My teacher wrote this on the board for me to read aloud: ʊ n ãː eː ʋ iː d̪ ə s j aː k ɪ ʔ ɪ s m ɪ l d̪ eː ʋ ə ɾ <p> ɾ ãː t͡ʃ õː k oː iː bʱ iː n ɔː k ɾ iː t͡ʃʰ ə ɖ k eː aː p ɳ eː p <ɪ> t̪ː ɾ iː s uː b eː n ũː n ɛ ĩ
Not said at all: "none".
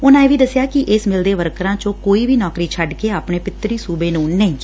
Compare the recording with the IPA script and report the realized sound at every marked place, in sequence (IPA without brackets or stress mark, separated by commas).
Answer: k, ɪ